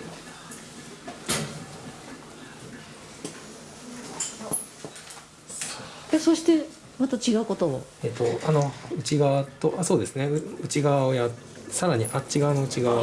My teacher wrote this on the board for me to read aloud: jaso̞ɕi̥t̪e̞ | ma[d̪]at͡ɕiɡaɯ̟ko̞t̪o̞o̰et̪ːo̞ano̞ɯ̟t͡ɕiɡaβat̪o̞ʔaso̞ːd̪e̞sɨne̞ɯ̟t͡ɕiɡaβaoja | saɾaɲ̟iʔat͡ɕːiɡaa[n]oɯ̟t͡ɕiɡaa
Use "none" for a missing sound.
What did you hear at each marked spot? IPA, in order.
t̪, n

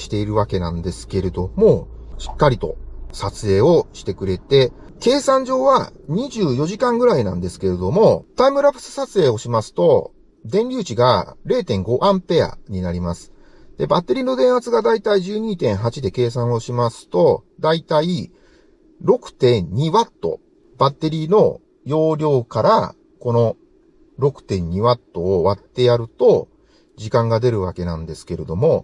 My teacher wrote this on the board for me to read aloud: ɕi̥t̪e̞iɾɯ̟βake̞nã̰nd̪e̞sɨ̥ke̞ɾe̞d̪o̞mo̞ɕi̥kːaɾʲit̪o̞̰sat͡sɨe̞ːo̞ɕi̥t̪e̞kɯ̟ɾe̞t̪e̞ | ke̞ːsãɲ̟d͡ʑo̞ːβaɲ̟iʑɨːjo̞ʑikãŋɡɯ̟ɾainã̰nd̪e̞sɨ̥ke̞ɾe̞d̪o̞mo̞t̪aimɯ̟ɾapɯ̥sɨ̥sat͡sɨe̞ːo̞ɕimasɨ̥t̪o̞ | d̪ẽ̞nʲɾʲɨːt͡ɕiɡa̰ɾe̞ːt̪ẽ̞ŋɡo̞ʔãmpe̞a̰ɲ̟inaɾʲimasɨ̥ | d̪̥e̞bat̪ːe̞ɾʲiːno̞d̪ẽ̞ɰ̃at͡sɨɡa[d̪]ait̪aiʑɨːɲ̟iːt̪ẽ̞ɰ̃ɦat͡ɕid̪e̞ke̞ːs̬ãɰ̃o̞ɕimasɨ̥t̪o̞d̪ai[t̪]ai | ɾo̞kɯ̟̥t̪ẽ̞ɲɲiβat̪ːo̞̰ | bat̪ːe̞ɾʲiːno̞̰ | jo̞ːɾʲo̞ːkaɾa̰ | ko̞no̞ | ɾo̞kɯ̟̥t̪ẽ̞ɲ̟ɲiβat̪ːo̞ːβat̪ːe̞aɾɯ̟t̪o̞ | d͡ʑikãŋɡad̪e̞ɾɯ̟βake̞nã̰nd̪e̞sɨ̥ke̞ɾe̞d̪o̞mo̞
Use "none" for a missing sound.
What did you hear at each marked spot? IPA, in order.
d̪, t̪

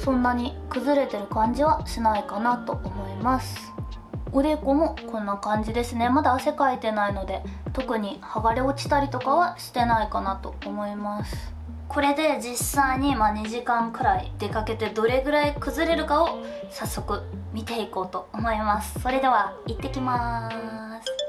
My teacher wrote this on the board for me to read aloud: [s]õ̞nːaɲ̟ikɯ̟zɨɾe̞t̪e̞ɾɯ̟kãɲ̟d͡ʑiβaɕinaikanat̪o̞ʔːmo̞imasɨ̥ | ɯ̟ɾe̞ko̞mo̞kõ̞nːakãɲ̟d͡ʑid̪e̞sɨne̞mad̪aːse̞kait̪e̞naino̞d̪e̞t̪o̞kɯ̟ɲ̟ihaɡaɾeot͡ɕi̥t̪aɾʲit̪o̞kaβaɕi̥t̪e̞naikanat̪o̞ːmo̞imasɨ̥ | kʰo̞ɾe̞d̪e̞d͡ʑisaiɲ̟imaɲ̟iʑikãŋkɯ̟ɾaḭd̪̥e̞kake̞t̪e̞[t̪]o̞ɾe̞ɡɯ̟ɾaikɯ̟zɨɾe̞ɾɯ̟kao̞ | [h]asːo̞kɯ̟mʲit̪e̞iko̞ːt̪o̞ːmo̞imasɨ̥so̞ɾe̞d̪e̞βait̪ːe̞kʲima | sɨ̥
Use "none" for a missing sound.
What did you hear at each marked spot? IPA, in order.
s, d̪, s

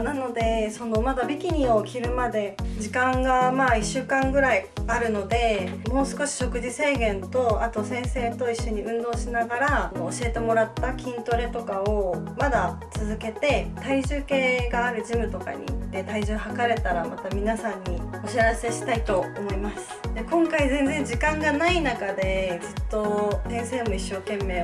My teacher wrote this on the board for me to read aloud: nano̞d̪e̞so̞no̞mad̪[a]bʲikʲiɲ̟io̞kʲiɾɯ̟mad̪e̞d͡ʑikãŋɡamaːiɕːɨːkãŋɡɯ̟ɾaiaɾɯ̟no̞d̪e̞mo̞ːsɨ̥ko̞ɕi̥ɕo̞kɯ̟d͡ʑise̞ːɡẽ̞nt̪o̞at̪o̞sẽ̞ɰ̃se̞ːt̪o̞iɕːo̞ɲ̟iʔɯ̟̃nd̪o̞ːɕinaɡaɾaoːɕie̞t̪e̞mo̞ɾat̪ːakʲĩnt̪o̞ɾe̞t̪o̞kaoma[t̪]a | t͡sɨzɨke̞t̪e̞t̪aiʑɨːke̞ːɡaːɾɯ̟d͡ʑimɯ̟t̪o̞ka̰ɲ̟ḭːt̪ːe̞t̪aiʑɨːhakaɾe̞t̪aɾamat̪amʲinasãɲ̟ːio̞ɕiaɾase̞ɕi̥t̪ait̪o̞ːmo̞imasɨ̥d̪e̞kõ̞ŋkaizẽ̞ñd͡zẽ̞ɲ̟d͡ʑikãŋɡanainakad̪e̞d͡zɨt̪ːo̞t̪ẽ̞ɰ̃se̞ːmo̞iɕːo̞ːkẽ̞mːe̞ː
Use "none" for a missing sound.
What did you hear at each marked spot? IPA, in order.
a, d̪

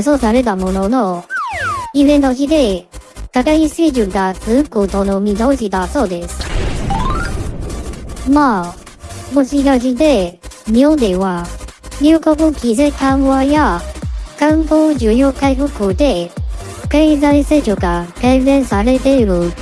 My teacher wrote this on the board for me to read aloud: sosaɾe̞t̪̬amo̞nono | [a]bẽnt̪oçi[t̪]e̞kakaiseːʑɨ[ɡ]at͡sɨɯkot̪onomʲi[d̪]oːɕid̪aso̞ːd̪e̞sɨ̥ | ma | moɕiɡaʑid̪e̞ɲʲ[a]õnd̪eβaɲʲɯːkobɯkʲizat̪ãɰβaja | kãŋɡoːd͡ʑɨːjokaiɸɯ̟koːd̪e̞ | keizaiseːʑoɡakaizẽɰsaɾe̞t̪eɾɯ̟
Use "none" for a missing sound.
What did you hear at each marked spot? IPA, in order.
i, d̪, ɡ, d̪, i

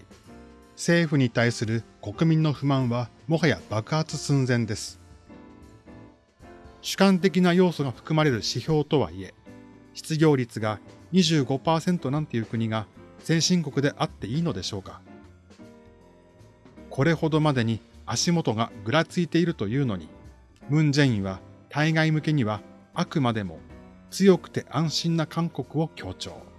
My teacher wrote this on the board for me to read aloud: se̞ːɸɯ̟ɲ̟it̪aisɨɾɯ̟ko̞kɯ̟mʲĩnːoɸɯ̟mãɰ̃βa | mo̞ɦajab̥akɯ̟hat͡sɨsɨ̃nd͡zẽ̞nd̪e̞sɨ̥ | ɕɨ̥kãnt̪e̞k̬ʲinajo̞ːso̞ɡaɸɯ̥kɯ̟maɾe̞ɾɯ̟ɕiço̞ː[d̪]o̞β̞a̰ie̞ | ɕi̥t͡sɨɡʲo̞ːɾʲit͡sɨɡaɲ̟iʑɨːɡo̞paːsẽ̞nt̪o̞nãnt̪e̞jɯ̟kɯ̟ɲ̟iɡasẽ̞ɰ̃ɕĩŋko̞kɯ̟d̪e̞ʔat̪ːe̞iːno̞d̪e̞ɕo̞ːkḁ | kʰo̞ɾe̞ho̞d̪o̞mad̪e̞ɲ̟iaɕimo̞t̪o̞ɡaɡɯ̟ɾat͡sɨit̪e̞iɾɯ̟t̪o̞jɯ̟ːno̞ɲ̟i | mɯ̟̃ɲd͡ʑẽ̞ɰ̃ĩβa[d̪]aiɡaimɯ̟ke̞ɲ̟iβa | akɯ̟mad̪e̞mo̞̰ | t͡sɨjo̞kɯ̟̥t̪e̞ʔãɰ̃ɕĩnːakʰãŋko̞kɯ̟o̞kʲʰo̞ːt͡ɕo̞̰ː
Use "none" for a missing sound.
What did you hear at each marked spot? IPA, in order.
t̪, t̪

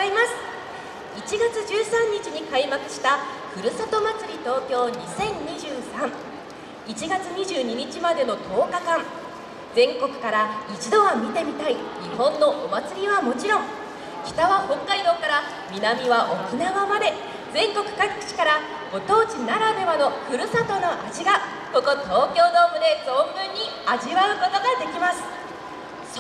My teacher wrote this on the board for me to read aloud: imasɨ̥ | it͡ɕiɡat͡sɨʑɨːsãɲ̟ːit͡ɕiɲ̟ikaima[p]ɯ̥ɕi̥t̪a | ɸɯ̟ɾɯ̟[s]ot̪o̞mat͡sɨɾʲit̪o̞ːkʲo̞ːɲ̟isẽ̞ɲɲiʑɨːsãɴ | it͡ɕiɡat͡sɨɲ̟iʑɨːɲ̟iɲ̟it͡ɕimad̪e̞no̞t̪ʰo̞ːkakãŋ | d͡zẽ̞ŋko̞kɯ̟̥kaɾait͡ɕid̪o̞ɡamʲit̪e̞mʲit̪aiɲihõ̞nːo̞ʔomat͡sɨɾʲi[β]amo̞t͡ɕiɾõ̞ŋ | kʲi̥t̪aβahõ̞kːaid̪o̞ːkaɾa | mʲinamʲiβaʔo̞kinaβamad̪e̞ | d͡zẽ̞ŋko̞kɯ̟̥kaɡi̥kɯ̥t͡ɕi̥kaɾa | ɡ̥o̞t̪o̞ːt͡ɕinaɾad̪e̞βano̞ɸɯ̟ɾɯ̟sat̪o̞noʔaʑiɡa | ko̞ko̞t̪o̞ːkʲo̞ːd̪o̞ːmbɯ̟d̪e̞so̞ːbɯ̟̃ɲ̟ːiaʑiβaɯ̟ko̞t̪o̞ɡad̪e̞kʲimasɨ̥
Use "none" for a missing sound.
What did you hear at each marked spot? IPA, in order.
k, s, β

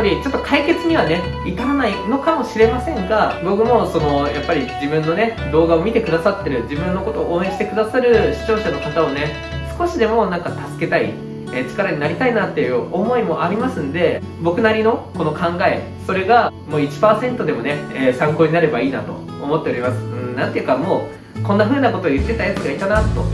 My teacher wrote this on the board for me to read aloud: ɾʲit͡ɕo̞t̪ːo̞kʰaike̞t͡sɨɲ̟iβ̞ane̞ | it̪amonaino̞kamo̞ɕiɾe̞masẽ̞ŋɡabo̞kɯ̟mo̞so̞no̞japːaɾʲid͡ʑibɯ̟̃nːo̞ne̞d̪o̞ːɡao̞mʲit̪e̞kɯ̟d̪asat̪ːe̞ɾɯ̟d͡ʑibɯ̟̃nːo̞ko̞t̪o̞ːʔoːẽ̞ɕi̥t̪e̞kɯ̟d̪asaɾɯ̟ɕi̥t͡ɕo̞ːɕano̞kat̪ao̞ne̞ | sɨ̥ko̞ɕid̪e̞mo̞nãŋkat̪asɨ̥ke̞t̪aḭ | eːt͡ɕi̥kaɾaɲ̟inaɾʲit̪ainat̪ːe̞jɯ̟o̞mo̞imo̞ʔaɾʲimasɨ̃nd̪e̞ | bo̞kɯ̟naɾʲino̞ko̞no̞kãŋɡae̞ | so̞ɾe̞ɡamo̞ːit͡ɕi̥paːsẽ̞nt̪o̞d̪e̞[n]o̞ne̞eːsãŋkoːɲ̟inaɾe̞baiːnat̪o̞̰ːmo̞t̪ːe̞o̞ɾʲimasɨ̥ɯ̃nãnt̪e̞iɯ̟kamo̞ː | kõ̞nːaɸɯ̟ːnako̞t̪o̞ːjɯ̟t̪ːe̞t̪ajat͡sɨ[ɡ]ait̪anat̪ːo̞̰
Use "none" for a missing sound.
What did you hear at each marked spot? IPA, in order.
m, ɡ

